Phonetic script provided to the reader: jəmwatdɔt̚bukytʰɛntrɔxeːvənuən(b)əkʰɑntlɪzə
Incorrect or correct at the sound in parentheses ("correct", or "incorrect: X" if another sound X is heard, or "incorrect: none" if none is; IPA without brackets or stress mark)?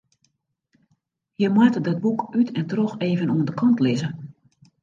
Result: incorrect: d